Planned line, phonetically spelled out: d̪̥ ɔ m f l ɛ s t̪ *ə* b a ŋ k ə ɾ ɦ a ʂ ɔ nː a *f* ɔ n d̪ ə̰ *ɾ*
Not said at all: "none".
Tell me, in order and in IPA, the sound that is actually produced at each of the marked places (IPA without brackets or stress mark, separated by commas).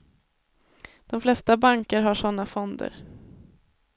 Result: a, f, ɾ